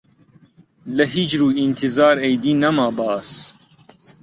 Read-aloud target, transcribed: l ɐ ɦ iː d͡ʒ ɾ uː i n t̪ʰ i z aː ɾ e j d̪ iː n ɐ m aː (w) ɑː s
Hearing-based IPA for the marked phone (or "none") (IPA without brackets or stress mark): b